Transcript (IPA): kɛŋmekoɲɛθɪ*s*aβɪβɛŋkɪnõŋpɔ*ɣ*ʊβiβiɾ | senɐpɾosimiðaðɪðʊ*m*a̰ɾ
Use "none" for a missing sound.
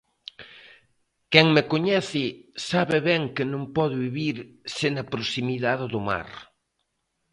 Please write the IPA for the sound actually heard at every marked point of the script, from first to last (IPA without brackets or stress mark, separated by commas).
s, ð, m